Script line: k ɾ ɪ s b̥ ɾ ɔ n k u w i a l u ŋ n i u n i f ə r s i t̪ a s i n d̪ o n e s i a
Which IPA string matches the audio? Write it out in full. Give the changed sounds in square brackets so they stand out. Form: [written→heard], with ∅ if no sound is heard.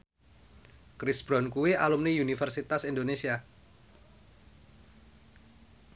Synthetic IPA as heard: k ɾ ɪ s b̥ ɾ ɔ n k u w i a l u [ŋ→m] n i u n i f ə r s i t̪ a s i n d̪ o n e s i a